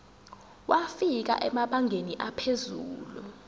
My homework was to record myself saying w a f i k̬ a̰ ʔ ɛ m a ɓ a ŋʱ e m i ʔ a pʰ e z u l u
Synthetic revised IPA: w a f i k̬ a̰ ʔ ɛ m a ɓ a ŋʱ e n i ʔ a pʰ e z uː l u